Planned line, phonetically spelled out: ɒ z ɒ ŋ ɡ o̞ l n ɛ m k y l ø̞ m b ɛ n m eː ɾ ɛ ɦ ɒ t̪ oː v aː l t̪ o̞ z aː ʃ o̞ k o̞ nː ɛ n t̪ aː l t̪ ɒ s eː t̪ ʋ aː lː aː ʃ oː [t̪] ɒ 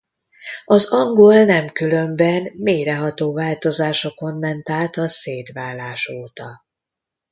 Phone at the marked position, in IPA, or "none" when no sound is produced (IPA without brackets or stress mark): t̪